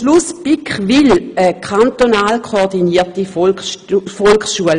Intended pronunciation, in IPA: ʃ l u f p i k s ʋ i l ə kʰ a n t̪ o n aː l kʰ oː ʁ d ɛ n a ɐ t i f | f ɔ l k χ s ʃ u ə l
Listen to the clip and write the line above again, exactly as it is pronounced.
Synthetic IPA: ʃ l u s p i k χ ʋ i l ə kʰ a n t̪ o n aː l kʰ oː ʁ d i n i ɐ t i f | f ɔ l k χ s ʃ u ə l

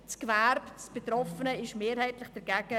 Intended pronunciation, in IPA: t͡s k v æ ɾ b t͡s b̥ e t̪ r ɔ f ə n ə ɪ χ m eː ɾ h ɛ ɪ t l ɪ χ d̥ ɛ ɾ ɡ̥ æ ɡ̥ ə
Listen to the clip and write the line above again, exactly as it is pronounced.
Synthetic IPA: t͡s k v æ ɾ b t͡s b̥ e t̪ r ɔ f ə n ə ɪ ʃ m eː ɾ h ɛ ɪ t l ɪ χ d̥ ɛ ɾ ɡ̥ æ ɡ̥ ə

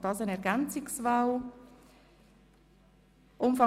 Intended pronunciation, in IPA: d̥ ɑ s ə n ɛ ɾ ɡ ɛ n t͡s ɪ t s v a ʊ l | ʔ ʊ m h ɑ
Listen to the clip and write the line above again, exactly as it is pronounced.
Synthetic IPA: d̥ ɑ s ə n ɛ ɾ ɡ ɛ n t͡s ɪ k s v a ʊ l | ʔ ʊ m f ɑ

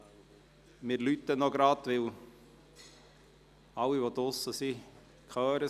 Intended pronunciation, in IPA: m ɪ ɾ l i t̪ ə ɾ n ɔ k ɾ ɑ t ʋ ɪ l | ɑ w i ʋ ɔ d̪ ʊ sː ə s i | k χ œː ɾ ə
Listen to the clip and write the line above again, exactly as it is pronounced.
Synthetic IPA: m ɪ ɾ l y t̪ ə n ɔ ɡ ɾ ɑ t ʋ ɪ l | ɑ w i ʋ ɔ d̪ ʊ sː ə s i | k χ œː ɾ ə

